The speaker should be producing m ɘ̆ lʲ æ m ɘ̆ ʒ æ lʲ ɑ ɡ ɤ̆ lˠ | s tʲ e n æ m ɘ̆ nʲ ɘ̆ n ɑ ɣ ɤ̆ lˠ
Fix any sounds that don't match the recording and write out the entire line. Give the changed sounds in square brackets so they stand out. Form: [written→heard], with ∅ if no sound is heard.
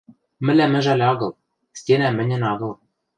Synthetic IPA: m ɘ̆ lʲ æ m ɘ̆ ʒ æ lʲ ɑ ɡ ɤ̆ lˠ | s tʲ e n æ m ɘ̆ nʲ ɘ̆ n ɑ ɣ ɤ̆ lˠ